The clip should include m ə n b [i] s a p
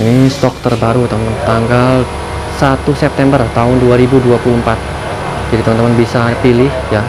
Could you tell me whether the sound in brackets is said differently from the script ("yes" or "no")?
no